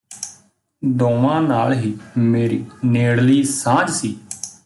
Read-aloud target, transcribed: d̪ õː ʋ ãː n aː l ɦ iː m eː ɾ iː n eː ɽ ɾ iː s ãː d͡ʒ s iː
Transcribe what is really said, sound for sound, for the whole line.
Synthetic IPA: d̪ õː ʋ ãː n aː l ɦ iː m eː ɾ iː n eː ɽ l iː s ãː d͡ʒ s iː